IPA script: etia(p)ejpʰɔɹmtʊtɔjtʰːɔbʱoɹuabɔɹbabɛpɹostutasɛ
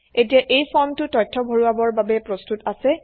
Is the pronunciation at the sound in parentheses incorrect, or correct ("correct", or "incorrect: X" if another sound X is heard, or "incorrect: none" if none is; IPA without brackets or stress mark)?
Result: incorrect: ʔ